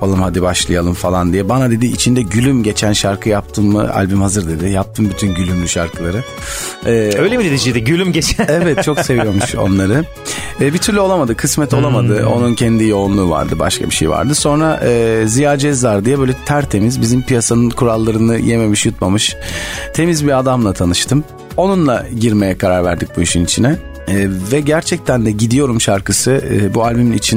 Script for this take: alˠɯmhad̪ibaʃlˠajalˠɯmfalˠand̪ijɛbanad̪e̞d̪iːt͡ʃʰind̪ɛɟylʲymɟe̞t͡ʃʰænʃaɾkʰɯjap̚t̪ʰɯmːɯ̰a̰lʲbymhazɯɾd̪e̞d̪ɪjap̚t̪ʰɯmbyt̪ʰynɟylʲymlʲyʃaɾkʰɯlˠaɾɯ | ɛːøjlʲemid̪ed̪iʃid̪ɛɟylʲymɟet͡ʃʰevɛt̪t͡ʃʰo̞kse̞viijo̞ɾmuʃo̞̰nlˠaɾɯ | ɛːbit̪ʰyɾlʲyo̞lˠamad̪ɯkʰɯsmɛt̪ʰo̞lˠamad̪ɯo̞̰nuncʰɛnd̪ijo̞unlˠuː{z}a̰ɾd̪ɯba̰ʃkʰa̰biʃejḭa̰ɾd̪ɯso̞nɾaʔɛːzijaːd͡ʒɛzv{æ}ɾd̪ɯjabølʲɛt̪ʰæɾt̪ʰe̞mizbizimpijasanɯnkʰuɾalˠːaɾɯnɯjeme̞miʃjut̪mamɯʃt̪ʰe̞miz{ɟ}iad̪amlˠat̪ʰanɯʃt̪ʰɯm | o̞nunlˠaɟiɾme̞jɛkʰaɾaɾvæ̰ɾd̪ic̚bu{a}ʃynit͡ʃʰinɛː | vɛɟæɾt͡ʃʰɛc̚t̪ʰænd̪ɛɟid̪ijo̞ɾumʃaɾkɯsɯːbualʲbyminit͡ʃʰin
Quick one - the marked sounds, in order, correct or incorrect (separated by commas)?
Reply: incorrect, incorrect, incorrect, incorrect